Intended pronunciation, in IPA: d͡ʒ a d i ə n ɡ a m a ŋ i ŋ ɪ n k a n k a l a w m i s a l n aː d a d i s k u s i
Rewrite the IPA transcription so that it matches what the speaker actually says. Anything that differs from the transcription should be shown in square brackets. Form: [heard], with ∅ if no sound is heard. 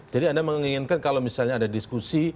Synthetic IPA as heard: d͡ʒ a d i [a] n [d] a m [ə] ŋ i ŋ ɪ n k a n k a l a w m i s a l [ɲ] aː d a d i s k u s i